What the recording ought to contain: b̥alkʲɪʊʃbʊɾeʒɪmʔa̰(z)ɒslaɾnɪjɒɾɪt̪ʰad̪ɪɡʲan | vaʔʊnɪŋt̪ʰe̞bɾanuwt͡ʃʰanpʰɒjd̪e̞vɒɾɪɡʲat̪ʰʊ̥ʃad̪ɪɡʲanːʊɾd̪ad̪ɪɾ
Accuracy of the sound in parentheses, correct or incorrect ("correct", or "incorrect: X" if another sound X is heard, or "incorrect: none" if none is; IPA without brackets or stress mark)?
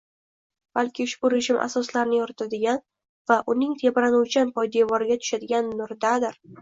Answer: incorrect: s